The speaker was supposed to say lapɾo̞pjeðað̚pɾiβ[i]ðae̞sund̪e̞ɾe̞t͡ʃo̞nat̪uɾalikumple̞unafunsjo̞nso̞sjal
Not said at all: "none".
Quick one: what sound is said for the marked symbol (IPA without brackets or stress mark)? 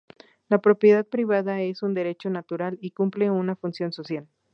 a